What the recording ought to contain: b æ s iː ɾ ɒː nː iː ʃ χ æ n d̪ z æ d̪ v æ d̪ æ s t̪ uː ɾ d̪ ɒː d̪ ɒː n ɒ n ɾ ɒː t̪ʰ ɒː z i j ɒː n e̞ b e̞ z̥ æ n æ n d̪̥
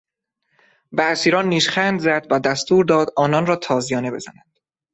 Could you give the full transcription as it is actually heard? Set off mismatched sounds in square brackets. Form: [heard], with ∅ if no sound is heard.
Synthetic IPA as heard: b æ s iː ɾ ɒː nː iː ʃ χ æ n d̪ z æ d̪ v æ d̪ æ s t̪ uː ɾ d̪ ɒː d̪ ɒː n ɒ n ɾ ɒː t̪ʰ ɒː z i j ɒː n e̞ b e̞ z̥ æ n æ n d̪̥